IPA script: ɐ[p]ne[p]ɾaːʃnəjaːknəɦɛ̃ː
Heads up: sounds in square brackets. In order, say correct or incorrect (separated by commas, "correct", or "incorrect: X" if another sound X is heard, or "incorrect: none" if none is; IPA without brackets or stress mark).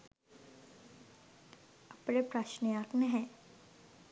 correct, correct